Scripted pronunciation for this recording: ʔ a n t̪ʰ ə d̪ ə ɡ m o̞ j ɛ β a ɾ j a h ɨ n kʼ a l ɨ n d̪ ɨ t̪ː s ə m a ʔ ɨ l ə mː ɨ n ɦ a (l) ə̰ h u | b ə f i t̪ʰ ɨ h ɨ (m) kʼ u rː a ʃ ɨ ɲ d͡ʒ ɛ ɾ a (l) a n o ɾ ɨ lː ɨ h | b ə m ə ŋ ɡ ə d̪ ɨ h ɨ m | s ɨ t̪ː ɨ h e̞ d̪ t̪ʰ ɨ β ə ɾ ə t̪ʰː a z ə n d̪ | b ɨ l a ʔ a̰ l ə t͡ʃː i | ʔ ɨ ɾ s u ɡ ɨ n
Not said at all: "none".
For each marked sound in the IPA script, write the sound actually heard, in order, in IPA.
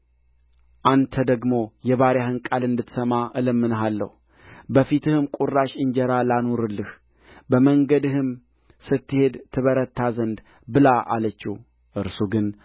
lː, m, l

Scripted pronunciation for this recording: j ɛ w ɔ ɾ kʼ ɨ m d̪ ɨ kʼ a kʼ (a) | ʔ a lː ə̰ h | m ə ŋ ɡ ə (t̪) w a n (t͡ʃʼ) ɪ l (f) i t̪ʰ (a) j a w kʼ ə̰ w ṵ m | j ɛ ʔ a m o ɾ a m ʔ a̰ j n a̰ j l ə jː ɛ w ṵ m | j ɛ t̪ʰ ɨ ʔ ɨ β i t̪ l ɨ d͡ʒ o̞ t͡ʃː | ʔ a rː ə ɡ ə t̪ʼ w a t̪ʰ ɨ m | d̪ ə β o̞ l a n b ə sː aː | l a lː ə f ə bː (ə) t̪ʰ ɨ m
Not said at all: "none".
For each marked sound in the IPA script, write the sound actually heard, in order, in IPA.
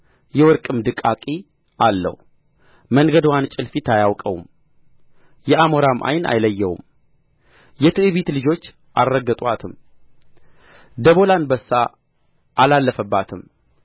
i, d̪, t͡ʃʼ, f, a, a

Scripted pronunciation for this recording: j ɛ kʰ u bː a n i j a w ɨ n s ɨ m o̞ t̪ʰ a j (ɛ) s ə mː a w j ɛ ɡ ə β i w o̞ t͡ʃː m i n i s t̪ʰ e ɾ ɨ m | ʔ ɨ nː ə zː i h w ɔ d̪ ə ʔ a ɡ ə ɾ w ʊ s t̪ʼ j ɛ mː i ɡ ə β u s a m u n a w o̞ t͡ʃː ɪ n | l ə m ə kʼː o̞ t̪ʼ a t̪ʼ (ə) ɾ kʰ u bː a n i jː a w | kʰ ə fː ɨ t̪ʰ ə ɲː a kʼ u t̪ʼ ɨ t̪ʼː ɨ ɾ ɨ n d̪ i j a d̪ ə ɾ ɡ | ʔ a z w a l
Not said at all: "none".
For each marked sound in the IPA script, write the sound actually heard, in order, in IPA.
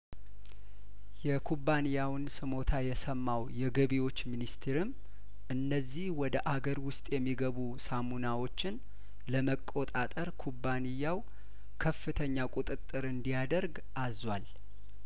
ɛ, ə

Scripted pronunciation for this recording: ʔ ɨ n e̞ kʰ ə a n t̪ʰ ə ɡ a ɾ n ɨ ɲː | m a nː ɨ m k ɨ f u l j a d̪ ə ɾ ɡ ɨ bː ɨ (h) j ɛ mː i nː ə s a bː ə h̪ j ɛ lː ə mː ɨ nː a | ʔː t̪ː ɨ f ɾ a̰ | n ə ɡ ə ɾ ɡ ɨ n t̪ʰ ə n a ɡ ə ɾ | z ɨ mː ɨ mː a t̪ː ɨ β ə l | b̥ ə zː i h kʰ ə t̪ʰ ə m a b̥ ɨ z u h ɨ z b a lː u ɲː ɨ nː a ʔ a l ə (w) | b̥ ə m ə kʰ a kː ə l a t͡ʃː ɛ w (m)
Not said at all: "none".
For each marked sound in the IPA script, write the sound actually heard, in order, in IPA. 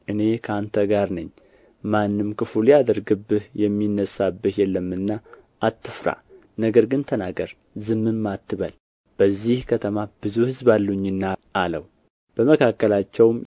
h, w, m

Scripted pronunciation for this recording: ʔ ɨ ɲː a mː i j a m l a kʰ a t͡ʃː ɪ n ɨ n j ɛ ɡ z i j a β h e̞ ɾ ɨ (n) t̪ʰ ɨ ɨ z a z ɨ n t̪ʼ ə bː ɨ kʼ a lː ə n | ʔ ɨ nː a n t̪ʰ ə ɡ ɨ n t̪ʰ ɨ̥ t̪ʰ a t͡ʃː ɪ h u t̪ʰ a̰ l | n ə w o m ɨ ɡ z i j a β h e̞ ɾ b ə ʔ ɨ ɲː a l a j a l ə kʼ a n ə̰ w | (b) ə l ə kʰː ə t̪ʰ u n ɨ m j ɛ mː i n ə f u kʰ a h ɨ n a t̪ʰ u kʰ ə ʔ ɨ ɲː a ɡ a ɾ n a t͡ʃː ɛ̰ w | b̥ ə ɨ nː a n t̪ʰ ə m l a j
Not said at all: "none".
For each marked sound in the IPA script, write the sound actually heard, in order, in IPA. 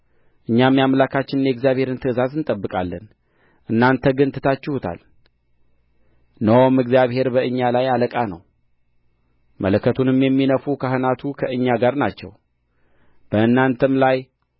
n, m

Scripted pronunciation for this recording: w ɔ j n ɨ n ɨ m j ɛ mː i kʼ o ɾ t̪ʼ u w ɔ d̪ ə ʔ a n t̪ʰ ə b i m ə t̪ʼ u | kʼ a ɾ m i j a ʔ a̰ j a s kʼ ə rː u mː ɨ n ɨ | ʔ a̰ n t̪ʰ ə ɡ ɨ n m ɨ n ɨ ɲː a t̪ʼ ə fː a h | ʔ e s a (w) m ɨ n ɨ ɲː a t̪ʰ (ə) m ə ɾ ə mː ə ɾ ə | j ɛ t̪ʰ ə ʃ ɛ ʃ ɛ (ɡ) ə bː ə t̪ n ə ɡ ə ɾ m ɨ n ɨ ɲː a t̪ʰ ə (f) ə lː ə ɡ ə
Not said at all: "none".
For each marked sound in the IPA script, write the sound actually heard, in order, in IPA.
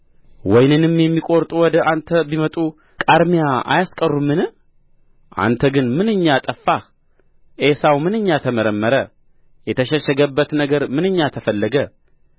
w, ə, ɡ, f

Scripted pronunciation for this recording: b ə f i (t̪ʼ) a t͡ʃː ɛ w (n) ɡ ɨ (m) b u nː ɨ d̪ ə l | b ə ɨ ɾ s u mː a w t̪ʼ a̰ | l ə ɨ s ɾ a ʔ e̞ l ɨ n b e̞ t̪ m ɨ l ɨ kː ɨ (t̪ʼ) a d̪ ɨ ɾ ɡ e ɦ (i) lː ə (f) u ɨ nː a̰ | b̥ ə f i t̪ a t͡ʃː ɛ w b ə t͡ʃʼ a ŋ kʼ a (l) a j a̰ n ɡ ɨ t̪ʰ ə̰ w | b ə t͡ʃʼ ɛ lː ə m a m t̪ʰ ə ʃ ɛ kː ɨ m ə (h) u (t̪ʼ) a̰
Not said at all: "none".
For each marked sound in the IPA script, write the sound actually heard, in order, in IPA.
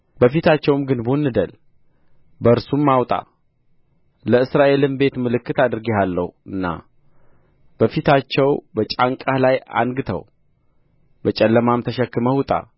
t̪, m, n, t̪, a, h, l, h, t̪ʼ

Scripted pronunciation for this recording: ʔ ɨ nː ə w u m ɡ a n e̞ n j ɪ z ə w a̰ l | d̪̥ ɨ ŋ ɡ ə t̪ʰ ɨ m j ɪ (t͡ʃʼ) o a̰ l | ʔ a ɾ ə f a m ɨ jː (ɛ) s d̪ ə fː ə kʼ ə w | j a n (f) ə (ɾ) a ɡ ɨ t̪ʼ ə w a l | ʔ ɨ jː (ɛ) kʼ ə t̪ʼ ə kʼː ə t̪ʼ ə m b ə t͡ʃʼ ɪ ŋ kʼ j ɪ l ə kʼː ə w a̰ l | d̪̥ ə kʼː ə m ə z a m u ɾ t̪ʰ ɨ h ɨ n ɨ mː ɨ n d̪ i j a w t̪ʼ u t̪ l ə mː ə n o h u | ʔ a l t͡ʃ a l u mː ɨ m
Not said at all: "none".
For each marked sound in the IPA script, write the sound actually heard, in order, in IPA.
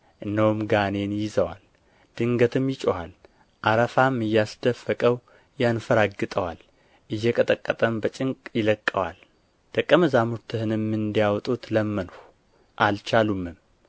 t͡ʃʼ, a, f, ɾ, ɛ

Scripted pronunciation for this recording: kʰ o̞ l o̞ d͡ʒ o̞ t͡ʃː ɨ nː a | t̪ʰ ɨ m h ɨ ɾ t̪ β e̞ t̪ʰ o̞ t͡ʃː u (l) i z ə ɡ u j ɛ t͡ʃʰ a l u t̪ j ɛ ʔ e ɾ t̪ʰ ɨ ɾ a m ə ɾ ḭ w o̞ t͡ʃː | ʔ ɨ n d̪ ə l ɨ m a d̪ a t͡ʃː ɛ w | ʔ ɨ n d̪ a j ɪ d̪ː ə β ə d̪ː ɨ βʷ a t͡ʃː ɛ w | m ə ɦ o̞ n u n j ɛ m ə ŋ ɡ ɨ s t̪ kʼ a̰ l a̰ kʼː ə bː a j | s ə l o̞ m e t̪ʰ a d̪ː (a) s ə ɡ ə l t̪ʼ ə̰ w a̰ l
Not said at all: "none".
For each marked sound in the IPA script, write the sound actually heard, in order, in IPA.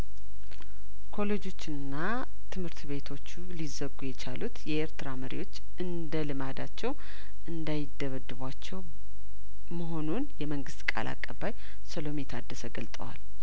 l, ə

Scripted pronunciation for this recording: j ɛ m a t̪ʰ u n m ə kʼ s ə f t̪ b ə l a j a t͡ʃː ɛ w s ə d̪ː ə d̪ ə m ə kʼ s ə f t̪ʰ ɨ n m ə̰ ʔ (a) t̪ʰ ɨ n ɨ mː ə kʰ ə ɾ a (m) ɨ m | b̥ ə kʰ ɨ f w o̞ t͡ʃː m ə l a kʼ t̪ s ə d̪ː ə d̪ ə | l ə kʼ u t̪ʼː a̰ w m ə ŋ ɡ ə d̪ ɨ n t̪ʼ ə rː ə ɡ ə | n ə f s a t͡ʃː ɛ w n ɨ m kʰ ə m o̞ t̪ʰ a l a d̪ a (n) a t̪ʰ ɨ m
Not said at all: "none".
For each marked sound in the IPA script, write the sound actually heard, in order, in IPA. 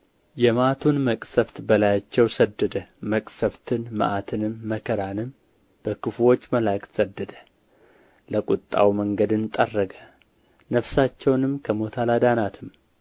a, n, n

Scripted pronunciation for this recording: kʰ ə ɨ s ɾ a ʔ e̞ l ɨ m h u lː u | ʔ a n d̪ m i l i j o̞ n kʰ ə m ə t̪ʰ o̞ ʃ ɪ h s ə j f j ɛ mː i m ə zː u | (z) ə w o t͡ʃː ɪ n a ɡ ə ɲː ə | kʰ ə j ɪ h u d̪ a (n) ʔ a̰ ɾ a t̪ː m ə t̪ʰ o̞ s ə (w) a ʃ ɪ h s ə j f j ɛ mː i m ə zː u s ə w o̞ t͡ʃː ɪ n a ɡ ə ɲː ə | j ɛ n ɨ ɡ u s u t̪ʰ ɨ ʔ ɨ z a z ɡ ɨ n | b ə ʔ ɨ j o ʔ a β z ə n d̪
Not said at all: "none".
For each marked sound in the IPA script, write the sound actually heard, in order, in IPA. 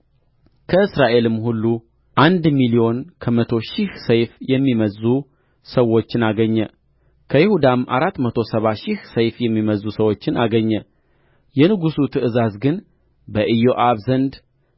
s, m, β

